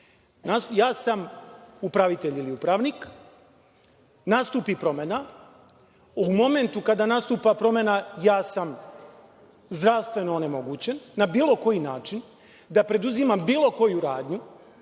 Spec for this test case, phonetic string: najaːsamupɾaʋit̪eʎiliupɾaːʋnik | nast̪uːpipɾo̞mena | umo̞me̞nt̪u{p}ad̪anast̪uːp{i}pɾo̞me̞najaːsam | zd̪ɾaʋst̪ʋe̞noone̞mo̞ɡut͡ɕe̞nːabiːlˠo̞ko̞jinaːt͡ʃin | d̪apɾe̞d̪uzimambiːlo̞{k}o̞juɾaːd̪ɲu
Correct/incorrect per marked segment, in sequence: incorrect: k, incorrect: a, correct

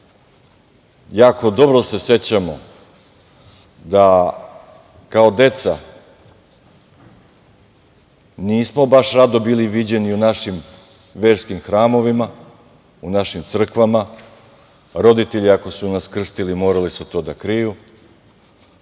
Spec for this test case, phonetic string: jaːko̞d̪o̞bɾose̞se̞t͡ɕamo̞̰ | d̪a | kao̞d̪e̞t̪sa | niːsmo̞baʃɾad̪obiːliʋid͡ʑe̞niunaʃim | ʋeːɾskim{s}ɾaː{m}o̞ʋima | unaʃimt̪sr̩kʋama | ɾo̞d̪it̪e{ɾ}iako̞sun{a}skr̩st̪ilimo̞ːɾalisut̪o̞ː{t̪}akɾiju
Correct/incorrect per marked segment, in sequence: incorrect: x, correct, incorrect: ʎ, correct, incorrect: d̪

